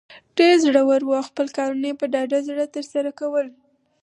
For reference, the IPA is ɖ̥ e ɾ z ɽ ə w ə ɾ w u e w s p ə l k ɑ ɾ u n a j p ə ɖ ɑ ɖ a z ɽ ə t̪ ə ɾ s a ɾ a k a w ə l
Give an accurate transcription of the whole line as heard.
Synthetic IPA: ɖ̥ e ɾ z ɽ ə w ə ɾ w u a w x p ə l k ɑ ɾ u n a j p ə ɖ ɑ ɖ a z ɽ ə t̪ ə ɾ s a ɾ a k a w ə l